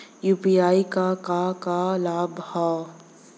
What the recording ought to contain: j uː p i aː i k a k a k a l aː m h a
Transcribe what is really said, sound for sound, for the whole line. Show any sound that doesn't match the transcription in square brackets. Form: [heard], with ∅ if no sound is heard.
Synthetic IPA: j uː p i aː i k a k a k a l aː [b] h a